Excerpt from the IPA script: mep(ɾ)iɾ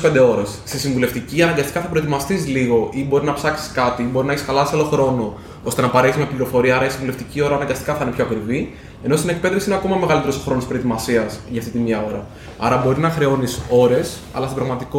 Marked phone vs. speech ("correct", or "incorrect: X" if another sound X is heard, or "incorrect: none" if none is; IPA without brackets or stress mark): incorrect: l